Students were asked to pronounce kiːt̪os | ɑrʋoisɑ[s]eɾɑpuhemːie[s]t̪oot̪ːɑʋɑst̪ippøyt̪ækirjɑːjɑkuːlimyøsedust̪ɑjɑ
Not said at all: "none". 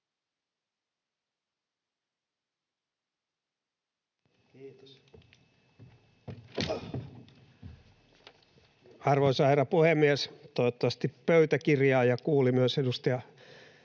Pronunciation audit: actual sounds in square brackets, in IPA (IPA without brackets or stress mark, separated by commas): h, s